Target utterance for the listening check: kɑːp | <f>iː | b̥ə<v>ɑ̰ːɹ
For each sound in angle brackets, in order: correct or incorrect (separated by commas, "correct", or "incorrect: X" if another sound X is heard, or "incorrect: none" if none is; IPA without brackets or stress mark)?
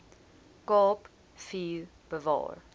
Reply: correct, correct